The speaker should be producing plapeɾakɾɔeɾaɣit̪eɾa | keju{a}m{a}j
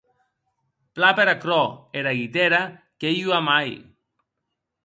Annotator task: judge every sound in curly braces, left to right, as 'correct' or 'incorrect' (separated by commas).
correct, correct